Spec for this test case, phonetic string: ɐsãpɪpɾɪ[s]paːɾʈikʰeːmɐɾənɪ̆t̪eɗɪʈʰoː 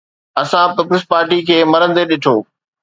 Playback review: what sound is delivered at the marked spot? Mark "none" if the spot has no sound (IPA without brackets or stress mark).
s